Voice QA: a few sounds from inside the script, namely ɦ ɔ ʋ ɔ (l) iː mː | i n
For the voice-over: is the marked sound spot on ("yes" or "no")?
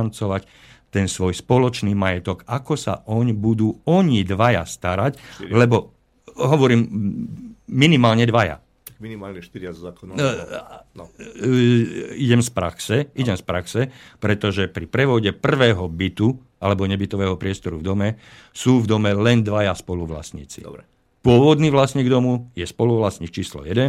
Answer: no